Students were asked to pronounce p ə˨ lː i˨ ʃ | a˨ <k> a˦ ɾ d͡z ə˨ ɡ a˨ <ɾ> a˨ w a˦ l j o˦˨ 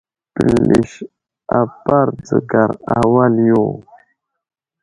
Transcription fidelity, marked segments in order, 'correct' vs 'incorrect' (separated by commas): incorrect, correct